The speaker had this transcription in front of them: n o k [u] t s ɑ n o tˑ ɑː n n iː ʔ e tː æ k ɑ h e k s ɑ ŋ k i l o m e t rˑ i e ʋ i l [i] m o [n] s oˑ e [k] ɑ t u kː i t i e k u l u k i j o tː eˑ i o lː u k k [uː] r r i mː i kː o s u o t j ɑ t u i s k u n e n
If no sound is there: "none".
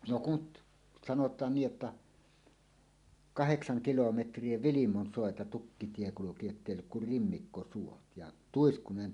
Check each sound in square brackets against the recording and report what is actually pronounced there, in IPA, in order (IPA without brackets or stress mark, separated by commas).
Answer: u, i, n, t, u